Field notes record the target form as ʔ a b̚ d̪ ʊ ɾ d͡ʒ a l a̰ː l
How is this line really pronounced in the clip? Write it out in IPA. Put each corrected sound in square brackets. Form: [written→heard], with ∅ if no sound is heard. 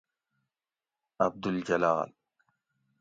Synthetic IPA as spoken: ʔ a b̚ d̪ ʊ [ɾ→l] d͡ʒ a l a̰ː l